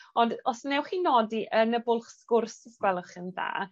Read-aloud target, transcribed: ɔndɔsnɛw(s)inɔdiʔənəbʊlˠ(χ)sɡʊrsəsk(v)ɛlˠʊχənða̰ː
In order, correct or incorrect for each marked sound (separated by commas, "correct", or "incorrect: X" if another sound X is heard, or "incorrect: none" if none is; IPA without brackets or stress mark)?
incorrect: χ, correct, incorrect: w